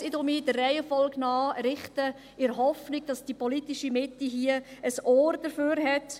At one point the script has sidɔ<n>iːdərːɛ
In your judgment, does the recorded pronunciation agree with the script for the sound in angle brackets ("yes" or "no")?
no